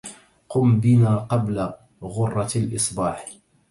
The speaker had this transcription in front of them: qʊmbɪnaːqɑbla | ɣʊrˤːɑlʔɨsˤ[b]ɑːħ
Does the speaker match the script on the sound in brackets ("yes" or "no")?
yes